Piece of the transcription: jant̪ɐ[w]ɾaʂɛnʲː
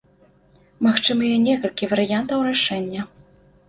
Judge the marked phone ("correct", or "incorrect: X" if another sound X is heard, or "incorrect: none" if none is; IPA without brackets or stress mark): correct